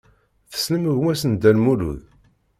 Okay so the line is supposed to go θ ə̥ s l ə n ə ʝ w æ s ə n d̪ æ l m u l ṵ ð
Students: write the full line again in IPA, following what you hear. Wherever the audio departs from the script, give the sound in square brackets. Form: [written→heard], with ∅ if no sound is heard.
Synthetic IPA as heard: θ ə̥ s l ə [n→m] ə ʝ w æ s ə n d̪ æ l m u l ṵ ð